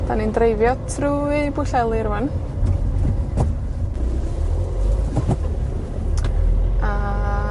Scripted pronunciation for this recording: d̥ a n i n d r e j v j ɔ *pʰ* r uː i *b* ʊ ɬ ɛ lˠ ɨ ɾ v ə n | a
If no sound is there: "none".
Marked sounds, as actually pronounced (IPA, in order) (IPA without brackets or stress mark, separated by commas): tʰ, b